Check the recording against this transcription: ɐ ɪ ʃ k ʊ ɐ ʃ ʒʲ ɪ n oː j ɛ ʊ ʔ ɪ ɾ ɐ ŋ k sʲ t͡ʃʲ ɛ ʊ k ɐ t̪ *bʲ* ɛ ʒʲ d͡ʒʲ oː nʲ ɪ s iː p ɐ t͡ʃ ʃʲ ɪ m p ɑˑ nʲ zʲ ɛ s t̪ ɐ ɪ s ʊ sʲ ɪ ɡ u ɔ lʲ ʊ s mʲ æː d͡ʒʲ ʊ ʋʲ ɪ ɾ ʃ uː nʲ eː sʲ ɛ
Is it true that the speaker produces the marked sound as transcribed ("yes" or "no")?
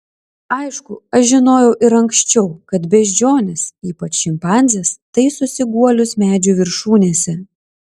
yes